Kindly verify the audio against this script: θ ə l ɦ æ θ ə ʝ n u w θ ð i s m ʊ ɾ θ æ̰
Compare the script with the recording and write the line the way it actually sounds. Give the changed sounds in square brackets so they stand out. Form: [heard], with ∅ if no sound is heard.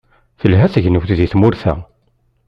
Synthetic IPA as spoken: θ ə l ɦ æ θ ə ʝ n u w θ ð i [θ] m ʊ ɾ θ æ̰